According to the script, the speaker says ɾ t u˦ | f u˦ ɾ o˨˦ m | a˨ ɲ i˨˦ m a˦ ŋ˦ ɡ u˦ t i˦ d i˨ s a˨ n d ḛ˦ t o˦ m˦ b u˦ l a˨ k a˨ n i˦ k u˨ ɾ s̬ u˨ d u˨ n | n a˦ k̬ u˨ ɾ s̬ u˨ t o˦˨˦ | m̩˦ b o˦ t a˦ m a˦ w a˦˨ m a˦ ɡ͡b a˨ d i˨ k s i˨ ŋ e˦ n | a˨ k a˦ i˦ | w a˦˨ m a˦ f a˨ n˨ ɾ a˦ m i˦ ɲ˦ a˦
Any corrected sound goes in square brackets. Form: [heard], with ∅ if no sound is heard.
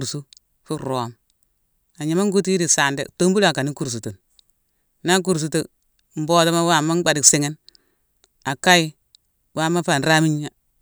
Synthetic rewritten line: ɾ [s] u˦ | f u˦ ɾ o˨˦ m | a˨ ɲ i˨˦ m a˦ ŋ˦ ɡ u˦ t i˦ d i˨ s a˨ n d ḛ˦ t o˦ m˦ b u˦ l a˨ k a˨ n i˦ k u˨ ɾ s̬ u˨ [t] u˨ n | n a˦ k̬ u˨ ɾ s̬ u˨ t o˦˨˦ | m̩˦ b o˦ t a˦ m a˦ w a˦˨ m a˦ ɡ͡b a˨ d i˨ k s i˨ ŋ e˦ n | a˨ k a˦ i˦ | w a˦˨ m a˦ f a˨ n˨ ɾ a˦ m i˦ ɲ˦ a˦